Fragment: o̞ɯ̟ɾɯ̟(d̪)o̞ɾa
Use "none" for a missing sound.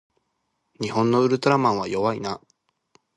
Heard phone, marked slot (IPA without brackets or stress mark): t̪